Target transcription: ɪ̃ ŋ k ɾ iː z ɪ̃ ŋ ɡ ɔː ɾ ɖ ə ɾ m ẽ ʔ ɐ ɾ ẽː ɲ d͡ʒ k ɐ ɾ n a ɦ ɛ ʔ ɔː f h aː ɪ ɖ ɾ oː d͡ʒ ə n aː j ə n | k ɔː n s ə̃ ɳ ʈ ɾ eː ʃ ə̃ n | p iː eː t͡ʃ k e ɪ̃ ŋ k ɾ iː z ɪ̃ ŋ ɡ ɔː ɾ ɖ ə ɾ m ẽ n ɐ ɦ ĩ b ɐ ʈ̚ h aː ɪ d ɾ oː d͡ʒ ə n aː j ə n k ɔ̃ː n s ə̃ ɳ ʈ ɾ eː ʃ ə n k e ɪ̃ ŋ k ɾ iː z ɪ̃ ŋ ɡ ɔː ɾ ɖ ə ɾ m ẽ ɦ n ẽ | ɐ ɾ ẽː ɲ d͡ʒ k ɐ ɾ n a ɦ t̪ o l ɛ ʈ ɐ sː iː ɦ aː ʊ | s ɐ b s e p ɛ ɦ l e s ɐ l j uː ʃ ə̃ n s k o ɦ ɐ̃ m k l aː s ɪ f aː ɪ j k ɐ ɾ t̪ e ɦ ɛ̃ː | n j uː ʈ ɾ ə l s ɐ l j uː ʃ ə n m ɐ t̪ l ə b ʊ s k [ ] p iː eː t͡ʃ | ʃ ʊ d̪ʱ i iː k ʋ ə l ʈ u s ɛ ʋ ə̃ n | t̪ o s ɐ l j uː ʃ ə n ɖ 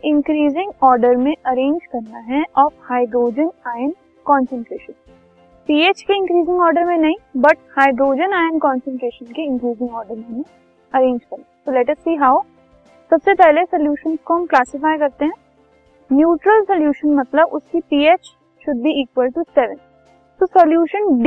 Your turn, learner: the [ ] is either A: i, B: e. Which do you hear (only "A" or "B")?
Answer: A